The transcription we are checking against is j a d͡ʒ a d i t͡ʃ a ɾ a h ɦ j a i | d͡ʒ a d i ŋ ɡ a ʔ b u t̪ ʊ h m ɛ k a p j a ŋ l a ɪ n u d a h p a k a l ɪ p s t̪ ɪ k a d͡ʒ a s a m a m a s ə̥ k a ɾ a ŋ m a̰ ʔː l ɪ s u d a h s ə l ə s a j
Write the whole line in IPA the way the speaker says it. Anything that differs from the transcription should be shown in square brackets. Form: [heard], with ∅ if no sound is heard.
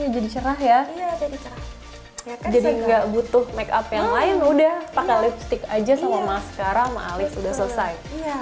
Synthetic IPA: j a d͡ʒ a d i t͡ʃ [ə] ɾ a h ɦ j a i | d͡ʒ a d i ŋ ɡ a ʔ b u t̪ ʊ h m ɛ k a p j a ŋ l a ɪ n u d a h p a k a l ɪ p s t̪ ɪ k a d͡ʒ a s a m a m a s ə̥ k a ɾ a ŋ m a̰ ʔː l ɪ s u d a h s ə l ə s a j